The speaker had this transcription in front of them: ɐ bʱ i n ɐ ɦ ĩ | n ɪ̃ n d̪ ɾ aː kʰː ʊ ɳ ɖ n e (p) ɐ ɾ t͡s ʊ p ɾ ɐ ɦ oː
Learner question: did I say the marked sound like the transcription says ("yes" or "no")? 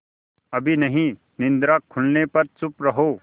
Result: yes